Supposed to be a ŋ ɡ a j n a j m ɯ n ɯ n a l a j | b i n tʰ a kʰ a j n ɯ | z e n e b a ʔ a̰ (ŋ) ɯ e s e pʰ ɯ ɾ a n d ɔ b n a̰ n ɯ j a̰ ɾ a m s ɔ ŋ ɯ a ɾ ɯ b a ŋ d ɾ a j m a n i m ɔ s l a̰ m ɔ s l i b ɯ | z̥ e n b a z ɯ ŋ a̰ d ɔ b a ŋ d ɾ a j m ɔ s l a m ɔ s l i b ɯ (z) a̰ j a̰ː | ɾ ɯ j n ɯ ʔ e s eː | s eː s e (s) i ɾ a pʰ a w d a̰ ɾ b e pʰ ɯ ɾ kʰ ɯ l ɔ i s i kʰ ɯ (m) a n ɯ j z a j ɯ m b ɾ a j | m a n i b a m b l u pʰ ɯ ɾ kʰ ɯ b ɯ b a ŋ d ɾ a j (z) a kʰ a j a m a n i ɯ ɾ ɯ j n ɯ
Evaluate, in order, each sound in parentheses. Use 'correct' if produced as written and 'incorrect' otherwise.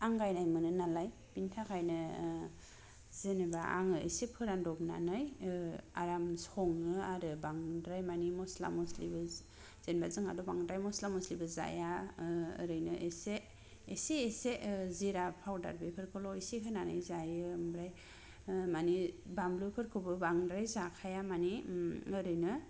correct, correct, incorrect: z, incorrect: n, correct

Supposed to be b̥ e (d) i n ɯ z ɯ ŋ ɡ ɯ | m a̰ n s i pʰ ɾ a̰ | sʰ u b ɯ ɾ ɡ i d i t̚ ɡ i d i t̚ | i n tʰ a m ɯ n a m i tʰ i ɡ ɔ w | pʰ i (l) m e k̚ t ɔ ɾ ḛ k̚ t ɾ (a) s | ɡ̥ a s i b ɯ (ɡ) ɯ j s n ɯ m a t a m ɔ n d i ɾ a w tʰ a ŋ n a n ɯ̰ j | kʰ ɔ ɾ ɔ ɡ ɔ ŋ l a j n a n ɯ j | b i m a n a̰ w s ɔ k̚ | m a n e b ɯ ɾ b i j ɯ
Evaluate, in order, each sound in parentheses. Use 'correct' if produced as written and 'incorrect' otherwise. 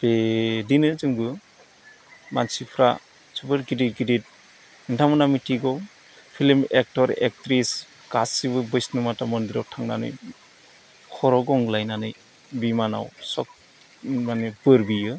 correct, correct, incorrect: i, incorrect: b

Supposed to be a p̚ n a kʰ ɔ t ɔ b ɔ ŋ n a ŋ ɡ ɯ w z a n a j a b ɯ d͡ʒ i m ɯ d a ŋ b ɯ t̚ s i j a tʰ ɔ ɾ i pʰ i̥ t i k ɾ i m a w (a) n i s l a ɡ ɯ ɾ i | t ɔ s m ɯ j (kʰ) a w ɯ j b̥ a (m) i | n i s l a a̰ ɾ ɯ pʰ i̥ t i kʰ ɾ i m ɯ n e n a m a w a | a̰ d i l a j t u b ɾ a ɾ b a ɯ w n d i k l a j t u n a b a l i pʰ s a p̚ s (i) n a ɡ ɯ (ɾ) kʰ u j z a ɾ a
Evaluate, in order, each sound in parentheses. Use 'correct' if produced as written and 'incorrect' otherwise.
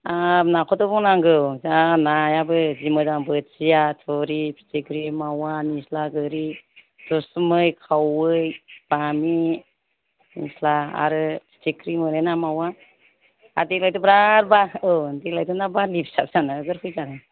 correct, correct, correct, incorrect: a, correct

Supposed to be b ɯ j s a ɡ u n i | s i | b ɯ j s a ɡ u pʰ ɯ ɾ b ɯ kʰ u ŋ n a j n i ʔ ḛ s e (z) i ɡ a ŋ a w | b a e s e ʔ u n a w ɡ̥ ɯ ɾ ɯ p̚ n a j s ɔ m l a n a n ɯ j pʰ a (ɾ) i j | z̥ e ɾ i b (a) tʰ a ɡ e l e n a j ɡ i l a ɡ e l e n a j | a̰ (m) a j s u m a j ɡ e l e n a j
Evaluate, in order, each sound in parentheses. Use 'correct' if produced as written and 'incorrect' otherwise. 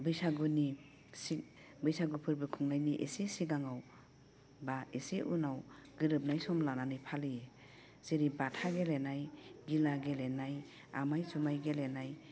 incorrect: s, incorrect: l, correct, correct

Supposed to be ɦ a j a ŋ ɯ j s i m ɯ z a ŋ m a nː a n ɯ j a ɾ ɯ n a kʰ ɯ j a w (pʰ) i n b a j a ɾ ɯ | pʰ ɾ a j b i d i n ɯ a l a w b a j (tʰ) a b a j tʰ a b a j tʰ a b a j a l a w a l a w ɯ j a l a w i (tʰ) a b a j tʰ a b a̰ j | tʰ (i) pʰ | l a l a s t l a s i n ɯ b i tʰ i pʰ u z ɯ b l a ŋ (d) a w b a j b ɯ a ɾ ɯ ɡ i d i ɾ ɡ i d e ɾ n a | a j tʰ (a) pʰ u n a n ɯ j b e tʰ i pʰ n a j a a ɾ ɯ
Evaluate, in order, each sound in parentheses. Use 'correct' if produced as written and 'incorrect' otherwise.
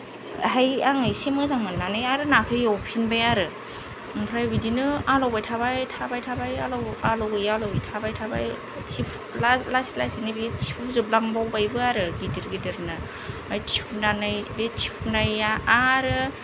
correct, correct, correct, correct, incorrect: b, incorrect: i

